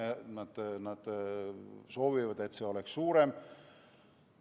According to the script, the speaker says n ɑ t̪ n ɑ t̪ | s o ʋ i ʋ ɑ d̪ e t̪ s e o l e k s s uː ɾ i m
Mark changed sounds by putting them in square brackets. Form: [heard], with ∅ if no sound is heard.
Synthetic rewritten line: n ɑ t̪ n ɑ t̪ | s o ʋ i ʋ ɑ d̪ e t̪ s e o l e k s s uː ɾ [e] m